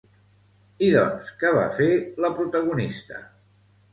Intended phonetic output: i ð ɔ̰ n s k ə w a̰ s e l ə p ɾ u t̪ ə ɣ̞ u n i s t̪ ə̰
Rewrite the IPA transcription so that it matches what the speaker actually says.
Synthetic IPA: i ð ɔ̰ n s k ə β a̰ f e l ə p ɾ u t̪ ə ɣ̞ u n i s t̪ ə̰